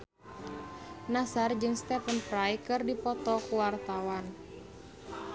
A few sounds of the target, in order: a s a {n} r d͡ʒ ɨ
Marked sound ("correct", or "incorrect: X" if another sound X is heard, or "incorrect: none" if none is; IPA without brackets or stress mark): incorrect: none